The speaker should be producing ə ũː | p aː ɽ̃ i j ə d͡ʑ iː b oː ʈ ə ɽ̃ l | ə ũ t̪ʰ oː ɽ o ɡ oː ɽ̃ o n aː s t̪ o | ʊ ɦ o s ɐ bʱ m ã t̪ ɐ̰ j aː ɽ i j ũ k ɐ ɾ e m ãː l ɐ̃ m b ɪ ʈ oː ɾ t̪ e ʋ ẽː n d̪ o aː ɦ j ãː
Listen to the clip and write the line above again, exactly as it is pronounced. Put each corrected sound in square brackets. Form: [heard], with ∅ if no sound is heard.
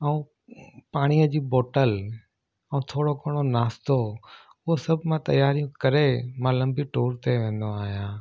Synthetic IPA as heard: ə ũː | p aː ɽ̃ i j ə d͡ʑ iː b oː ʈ ə [∅] l | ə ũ t̪ʰ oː ɽ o [k] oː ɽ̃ o n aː s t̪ o | ʊ ɦ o s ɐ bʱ m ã t̪ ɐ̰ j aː [ɾ] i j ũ k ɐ ɾ e m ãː l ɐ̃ m b [i] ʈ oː ɾ t̪ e ʋ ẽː n d̪ o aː ɦ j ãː